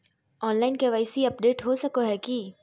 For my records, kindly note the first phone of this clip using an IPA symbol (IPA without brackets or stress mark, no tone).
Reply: ɔː